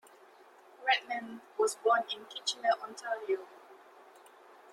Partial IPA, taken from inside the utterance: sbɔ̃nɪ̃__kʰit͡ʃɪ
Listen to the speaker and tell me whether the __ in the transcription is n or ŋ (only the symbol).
n